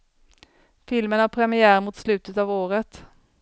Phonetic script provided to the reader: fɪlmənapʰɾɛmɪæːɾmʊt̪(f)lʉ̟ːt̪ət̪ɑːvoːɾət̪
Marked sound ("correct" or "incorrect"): incorrect